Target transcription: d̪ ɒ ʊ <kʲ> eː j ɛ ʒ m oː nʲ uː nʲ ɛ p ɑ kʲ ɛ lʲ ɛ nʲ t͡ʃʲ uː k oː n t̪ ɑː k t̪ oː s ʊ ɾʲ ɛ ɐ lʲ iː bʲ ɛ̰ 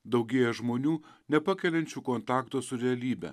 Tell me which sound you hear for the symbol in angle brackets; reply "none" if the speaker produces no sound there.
ɡʲ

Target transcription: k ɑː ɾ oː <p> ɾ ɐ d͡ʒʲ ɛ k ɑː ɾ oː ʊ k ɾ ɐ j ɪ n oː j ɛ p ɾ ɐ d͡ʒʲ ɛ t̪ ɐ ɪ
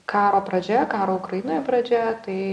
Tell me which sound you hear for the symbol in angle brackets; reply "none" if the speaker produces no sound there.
p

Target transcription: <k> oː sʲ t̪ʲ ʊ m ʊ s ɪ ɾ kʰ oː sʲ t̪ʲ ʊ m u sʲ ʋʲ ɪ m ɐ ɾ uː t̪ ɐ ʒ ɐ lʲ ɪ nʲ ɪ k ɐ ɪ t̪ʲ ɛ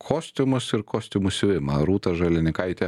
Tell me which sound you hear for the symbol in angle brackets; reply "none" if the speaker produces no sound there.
kʰ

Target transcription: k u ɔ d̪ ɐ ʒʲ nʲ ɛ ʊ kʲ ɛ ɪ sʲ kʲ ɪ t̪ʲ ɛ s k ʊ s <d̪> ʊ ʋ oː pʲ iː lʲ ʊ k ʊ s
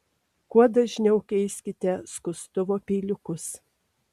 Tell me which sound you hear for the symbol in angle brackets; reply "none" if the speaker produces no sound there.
t̪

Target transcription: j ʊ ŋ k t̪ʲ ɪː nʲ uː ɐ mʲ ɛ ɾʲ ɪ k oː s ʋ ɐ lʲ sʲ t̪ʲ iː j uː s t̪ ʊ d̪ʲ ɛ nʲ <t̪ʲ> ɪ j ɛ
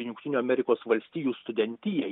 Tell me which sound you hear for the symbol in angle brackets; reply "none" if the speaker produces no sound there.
t̪ʲ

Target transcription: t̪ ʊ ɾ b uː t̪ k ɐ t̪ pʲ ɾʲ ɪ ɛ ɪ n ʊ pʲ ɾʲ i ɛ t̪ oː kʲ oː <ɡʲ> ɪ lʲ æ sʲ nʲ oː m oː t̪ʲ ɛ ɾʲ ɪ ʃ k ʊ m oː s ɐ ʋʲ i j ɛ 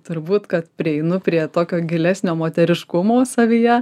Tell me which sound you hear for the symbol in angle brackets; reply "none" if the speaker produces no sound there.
ɡʲ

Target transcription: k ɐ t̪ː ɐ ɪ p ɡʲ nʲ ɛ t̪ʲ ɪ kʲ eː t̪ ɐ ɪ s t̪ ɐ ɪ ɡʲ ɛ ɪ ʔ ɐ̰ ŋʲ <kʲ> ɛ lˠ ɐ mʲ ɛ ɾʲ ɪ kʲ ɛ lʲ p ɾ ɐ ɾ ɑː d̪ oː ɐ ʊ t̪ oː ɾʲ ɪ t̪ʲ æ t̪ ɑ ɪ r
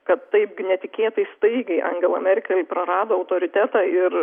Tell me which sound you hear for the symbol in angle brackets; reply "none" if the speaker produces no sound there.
ɡʲ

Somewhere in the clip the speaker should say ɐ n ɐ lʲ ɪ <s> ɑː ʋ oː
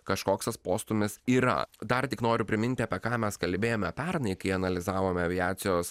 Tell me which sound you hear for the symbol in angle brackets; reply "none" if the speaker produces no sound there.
z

